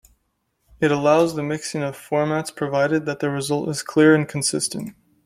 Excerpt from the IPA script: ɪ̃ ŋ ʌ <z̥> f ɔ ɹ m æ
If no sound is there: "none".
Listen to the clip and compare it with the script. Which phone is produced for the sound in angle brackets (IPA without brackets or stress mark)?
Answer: v̥